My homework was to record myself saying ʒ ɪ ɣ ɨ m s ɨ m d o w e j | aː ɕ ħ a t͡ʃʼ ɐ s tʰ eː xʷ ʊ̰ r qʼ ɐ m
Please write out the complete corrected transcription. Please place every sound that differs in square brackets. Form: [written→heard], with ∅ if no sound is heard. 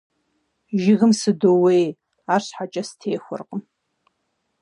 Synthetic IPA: ʒ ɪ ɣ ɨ m s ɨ [m→∅] d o w e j | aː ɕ ħ a t͡ʃʼ ɐ s tʰ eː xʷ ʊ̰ r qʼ [ɐ→ə] m